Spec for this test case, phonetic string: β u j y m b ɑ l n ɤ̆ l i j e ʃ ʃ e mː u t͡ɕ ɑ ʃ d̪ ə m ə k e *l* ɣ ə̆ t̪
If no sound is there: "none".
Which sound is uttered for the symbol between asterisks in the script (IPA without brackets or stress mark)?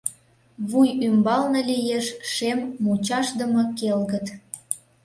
l